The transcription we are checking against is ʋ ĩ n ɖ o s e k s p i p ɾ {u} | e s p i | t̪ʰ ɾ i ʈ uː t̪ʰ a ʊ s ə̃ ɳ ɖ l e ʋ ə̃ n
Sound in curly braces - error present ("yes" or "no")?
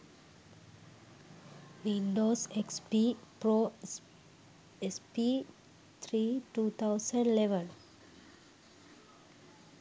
yes